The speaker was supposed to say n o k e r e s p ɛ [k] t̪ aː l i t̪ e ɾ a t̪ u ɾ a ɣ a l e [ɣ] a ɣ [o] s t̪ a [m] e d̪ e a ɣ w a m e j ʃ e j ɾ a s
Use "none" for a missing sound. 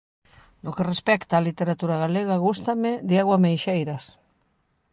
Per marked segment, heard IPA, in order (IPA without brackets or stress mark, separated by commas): k, ɣ, u, m